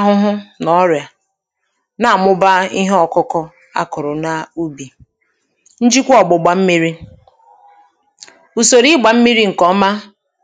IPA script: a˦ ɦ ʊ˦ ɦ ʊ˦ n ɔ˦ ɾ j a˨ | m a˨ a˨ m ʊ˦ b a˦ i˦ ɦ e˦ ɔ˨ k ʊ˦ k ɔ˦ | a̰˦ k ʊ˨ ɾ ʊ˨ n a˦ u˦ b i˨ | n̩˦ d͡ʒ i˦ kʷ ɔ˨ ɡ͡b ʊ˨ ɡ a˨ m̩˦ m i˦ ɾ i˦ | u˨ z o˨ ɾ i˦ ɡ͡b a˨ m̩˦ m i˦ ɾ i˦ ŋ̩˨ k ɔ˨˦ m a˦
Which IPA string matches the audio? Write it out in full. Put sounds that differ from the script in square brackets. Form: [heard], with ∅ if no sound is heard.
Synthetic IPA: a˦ ɦ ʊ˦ ɦ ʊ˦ n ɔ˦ ɾ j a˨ | [n] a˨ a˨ m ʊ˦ b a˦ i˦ ɦ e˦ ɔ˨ k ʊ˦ k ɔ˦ | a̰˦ k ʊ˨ ɾ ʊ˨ n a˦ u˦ b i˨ | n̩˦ d͡ʒ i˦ kʷ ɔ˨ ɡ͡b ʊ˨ [ɡ͡b] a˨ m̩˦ m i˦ ɾ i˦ | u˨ [s] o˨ ɾ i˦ ɡ͡b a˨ m̩˦ m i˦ ɾ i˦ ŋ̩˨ k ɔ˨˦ m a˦

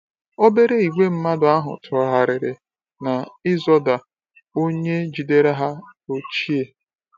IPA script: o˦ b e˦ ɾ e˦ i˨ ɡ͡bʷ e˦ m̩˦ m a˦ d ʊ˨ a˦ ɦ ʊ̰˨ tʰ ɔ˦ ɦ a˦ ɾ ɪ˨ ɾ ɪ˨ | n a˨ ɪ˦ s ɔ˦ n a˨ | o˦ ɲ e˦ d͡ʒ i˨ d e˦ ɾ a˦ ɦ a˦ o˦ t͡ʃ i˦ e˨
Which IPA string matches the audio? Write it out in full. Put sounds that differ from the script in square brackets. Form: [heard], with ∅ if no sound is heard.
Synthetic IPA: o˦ b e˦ ɾ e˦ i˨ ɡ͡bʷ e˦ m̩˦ m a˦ d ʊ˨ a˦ ɦ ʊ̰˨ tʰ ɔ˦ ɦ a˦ ɾ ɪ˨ ɾ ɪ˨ | n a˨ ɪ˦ [z] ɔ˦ [d] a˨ | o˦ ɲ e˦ d͡ʒ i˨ d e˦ ɾ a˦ ɦ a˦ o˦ t͡ʃ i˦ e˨

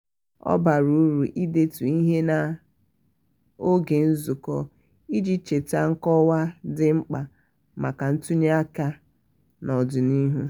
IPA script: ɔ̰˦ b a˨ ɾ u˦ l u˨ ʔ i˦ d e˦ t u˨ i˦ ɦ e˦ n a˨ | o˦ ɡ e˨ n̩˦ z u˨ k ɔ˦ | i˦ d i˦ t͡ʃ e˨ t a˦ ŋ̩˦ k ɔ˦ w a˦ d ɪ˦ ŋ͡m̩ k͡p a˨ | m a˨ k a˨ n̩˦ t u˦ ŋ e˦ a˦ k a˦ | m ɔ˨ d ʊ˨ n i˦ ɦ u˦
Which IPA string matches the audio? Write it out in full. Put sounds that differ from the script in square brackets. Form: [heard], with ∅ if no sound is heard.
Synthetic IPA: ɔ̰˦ b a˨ ɾ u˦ [ɾ] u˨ ʔ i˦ d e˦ t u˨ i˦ ɦ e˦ n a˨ | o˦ ɡ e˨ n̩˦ z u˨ k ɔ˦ | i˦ [d͡ʒ] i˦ t͡ʃ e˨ t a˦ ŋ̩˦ k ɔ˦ w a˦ d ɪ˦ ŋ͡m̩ k͡p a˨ | m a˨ k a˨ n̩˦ t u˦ [ɲ] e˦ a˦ k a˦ | [n] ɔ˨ d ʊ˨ n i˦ ɦ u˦

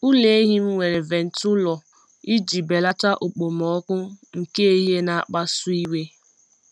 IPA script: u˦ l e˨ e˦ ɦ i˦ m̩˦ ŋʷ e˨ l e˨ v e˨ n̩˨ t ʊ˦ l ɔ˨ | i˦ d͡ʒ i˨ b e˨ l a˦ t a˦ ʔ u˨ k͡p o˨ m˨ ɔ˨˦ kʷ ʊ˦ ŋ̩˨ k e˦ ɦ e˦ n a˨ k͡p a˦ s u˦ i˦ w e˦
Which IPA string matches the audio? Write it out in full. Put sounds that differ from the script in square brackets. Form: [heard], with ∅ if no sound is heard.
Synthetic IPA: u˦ l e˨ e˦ ɦ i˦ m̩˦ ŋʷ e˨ [ɾ] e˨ v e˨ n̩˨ t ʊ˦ l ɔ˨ | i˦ d͡ʒ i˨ b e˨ l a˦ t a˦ ʔ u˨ k͡p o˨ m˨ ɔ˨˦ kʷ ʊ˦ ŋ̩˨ k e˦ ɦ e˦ n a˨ k͡p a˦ s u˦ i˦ w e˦

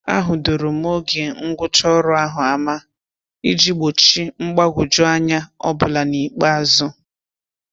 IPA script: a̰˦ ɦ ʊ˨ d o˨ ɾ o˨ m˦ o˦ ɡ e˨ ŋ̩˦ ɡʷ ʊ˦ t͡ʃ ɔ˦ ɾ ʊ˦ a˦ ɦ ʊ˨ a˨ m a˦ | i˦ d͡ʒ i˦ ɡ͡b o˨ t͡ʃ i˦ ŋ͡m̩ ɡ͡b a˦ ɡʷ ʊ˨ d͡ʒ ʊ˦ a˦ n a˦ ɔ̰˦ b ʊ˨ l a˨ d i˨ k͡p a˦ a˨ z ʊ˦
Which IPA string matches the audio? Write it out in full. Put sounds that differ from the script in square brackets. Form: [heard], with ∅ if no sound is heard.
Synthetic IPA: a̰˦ ɦ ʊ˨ d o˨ ɾ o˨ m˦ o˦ ɡ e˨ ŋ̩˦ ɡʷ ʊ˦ t͡ʃ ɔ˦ ɾ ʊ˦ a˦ ɦ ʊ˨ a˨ m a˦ | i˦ d͡ʒ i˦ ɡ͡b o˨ t͡ʃ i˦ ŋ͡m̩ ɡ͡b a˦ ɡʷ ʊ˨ d͡ʒ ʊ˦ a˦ [ɲ] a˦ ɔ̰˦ b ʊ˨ l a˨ [n] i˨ k͡p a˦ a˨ z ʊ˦

